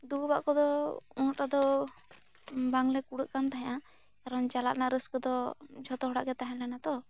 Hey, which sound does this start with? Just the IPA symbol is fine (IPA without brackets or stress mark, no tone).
d̪